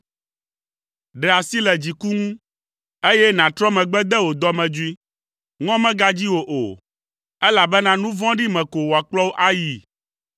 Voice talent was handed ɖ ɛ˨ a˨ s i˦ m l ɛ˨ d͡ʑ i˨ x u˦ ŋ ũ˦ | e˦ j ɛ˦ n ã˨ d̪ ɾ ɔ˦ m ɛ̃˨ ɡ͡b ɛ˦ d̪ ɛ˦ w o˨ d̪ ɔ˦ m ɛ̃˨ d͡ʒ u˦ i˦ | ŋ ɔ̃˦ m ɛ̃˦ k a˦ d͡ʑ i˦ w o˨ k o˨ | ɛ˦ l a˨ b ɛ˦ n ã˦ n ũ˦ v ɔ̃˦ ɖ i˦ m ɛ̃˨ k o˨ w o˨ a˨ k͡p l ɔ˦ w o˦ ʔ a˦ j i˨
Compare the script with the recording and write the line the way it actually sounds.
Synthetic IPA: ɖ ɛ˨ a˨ s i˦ l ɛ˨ d͡ʑ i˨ k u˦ ŋ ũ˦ | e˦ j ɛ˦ n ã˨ t̪ ɾ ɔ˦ m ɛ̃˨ ɡ͡b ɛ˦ d̪ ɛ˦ w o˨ d̪ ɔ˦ m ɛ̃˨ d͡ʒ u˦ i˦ | ŋ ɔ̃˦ m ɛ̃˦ ɡ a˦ d͡ʑ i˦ w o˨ ʔ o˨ | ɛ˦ l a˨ b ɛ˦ n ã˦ n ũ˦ v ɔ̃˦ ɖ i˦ m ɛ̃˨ k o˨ w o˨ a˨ k͡p l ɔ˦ w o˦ ʔ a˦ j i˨